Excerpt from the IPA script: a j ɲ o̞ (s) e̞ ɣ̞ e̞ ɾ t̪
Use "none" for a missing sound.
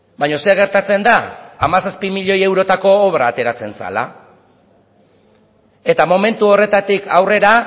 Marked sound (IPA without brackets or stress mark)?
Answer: s